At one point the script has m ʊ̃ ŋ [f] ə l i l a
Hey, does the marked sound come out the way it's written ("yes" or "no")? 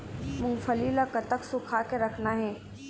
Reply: yes